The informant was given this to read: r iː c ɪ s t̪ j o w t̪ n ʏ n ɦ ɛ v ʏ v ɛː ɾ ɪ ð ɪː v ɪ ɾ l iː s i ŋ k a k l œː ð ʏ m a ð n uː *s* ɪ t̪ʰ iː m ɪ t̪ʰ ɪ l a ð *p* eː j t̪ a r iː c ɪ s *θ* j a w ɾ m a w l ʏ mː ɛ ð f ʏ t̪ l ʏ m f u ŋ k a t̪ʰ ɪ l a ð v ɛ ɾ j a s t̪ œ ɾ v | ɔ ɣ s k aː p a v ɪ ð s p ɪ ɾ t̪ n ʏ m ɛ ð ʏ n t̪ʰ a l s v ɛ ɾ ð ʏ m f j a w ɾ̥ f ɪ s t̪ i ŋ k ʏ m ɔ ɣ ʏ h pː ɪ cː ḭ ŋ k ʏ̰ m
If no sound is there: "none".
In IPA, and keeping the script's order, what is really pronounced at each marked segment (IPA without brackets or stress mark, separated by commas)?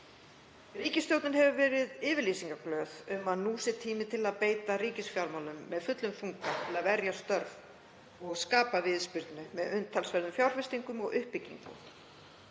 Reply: s, p, f